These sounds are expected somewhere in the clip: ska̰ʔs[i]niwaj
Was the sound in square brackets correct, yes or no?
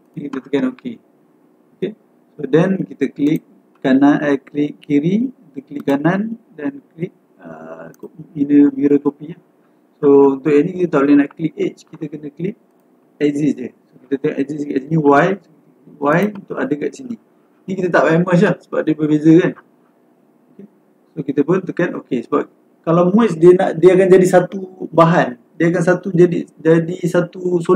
yes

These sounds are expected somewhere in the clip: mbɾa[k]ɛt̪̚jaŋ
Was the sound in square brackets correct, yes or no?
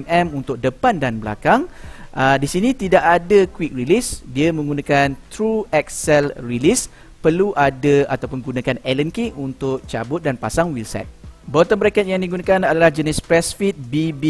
yes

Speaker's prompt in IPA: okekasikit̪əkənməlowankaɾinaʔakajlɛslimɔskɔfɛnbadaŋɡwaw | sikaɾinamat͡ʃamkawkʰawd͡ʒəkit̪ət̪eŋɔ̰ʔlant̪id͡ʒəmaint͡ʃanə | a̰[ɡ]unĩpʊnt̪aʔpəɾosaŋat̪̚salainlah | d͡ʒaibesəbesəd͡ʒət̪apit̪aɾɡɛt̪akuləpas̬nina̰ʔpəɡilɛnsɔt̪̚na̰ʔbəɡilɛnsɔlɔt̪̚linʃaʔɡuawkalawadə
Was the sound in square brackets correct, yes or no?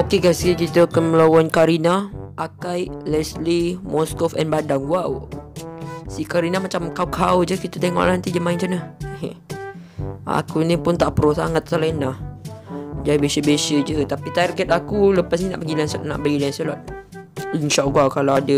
no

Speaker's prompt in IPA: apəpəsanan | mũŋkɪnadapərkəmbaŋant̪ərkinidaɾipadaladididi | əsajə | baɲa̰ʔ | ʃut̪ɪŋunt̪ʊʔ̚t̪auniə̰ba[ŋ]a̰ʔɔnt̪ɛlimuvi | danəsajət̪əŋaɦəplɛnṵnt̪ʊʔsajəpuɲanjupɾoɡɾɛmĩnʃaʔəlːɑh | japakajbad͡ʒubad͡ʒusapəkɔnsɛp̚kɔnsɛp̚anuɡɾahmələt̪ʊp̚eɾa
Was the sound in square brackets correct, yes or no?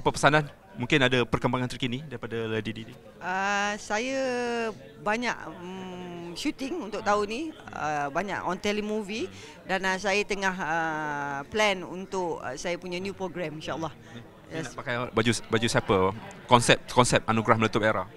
no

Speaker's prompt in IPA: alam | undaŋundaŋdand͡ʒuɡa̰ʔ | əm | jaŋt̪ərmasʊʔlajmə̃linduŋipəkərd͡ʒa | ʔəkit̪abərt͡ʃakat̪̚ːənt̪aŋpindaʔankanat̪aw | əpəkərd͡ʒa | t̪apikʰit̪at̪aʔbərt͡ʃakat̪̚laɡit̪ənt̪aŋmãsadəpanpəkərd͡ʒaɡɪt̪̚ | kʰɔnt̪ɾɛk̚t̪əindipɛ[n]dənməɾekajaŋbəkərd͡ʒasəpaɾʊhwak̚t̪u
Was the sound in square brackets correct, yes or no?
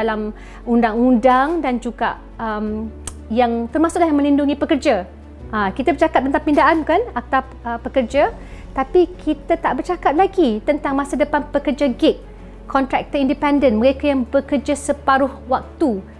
yes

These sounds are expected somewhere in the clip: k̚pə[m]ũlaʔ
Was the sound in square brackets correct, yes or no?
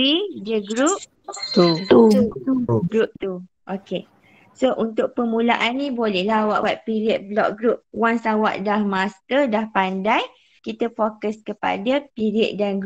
yes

